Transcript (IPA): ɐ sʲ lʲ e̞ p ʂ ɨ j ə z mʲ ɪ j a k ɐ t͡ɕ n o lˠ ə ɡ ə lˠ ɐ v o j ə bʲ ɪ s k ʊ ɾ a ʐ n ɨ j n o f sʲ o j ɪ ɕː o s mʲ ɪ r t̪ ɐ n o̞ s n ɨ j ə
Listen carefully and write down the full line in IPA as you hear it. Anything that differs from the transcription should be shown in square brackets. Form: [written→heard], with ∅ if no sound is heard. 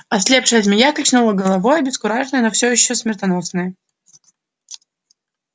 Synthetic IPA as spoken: ɐ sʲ lʲ e̞ p ʂ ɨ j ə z mʲ ɪ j a k ɐ t͡ɕ n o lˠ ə ɡ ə lˠ ɐ v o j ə bʲ ɪ s k ʊ ɾ a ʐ n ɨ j n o f sʲ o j ɪ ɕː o s mʲ ɪ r t̪ ɐ n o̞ s n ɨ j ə